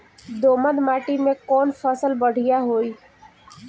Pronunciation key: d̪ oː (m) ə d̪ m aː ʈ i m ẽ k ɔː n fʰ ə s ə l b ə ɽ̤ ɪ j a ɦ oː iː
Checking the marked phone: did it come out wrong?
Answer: no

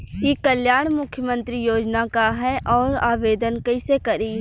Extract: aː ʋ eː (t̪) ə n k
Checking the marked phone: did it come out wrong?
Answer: yes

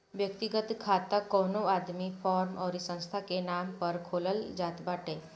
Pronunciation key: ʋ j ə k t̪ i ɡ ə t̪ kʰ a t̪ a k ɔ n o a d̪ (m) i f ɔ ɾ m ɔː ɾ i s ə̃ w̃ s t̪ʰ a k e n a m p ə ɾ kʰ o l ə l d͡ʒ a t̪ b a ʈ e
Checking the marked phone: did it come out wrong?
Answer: no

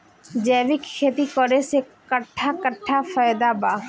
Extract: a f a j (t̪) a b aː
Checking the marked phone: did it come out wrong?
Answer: yes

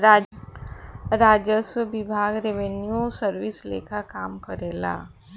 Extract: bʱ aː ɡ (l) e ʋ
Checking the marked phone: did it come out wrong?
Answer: yes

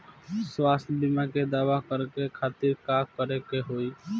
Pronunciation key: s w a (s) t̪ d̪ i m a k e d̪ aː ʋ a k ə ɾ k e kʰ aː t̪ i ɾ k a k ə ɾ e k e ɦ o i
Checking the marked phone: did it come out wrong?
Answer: no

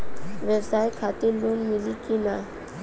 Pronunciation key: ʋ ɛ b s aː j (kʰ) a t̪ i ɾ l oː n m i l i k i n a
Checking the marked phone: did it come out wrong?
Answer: no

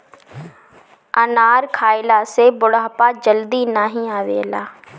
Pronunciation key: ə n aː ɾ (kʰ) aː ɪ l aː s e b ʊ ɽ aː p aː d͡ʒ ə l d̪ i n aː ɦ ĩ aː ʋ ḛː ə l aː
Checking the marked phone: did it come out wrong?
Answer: no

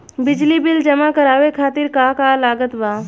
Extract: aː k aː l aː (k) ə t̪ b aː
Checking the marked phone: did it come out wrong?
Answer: yes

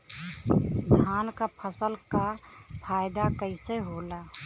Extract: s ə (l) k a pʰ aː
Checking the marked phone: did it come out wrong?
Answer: no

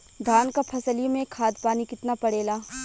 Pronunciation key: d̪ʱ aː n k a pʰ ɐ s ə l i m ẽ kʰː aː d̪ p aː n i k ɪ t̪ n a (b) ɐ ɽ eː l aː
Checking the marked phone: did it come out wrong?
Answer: yes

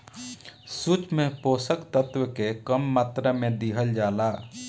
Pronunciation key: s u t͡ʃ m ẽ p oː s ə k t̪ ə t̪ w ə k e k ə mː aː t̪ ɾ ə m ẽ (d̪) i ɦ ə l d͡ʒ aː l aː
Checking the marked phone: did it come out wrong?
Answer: no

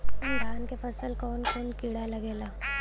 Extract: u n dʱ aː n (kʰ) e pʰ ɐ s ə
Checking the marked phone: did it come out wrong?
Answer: yes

